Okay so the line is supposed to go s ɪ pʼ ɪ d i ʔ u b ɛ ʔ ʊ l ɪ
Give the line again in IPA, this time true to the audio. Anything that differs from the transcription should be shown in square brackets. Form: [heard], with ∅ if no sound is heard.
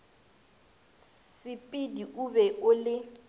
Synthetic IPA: s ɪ pʼ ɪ d i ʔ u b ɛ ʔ ʊ l ɪ